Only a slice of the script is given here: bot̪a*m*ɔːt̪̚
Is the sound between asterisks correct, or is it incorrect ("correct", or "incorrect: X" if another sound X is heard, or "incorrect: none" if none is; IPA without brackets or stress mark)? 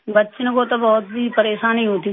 incorrect: b